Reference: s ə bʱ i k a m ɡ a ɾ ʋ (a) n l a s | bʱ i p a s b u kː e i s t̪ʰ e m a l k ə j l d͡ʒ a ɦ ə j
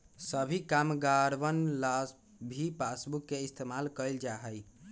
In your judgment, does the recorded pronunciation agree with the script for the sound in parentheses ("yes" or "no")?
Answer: no